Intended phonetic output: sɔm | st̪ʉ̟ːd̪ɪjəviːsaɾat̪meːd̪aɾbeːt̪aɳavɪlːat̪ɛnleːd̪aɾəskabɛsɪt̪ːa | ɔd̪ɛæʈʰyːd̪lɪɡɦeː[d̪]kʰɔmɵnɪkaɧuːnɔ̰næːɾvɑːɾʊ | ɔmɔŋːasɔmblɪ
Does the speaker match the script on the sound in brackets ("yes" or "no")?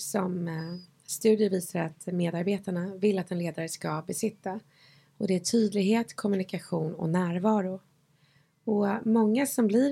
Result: no